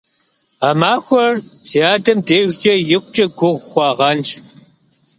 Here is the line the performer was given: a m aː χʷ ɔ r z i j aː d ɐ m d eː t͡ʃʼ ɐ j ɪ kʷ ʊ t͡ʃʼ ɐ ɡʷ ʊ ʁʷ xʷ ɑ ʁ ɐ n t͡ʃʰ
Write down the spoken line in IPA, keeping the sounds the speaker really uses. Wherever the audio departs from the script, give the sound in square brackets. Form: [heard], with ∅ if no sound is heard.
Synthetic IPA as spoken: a m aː [xʷ] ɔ r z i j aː d ɐ m d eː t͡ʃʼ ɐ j ɪ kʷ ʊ t͡ʃʼ ɐ ɡʷ ʊ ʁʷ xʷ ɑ ʁ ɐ n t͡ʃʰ